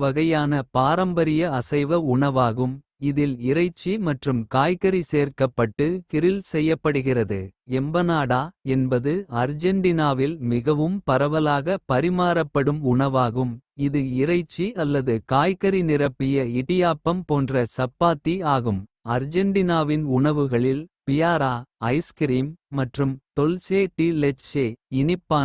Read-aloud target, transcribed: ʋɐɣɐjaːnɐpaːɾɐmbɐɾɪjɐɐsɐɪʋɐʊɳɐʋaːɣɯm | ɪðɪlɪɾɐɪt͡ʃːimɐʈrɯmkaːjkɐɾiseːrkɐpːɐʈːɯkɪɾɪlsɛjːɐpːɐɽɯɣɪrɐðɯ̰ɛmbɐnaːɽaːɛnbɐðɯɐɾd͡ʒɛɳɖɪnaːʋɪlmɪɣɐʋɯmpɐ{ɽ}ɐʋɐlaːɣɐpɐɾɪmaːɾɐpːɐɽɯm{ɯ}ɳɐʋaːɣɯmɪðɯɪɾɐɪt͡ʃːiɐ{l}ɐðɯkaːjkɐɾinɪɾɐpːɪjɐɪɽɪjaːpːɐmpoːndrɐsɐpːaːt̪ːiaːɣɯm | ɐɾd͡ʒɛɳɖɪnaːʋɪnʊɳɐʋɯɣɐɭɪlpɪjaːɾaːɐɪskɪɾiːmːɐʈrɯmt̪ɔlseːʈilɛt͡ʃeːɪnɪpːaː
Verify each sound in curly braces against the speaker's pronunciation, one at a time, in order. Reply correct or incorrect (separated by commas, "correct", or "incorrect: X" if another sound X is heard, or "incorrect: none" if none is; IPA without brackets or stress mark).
incorrect: ɾ, incorrect: ʊ, incorrect: lː